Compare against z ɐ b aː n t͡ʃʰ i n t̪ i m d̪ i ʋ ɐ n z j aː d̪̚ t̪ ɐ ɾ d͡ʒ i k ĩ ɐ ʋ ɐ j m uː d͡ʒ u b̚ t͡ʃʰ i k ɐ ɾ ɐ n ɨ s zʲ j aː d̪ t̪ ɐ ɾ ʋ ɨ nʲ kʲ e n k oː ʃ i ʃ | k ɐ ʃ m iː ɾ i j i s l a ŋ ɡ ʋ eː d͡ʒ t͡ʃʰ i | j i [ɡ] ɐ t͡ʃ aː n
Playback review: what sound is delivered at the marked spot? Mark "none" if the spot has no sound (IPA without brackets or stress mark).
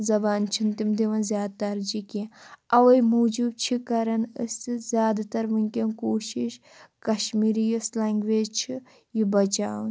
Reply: b